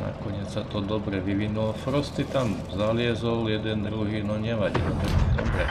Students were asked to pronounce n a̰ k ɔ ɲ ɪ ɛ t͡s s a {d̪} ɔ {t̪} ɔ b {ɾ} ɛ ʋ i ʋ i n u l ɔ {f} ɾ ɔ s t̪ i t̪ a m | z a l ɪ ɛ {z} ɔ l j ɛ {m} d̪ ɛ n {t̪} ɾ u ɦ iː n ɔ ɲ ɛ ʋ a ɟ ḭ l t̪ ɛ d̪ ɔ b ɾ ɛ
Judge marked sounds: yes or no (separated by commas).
no, no, yes, yes, yes, no, no